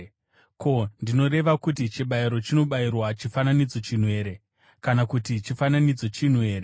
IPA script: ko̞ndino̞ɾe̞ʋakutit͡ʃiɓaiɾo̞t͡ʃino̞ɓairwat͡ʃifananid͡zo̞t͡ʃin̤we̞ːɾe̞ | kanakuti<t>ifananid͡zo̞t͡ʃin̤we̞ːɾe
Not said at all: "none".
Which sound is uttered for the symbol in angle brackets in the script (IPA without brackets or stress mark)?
t͡ʃ